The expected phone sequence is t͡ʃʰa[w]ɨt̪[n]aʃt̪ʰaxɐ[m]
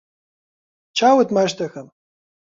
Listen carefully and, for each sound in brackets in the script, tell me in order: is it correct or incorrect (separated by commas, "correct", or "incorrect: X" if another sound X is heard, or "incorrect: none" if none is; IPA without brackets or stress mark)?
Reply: correct, incorrect: m, correct